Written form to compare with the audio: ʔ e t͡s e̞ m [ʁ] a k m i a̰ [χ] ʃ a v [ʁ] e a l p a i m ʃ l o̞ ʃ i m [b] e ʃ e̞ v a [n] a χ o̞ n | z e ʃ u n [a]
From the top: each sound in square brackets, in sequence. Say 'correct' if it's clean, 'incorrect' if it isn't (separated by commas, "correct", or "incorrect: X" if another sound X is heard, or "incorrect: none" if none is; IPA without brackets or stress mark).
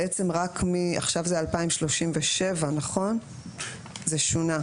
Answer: correct, correct, incorrect: z, incorrect: v, correct, correct